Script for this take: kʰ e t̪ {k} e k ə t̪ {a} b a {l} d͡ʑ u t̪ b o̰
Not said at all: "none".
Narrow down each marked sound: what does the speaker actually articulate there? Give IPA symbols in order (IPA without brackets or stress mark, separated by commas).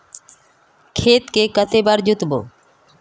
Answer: k, e, ɾ